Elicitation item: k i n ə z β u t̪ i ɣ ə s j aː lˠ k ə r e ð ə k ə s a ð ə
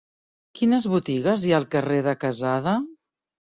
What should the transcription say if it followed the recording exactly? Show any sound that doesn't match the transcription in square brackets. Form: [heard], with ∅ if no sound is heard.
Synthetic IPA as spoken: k i n ə z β u t̪ i ɣ ə [z] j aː lˠ k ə r e ð ə k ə [z] a ð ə